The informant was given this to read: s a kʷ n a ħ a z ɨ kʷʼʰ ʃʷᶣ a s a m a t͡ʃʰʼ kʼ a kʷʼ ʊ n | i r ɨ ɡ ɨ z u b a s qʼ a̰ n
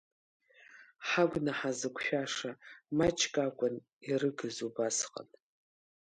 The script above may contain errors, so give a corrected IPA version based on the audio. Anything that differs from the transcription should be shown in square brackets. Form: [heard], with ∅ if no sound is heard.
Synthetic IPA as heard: [ħ] a [ɡʷ] n a ħ a z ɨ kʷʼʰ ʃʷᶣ a [ʂ] a m a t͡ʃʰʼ kʼ a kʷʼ ʊ n | i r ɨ ɡ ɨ z u b a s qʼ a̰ n